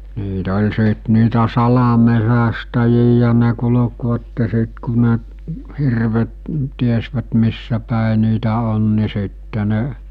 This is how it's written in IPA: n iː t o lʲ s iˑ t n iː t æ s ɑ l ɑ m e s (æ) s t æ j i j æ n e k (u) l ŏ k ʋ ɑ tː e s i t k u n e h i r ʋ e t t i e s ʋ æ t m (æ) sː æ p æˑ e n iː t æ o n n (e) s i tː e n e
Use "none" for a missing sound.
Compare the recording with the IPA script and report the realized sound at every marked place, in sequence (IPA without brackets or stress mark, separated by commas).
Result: æ, u, i, i